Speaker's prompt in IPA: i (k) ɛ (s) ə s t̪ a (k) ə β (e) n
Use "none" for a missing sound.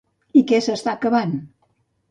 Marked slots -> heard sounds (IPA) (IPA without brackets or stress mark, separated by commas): k, s, k, a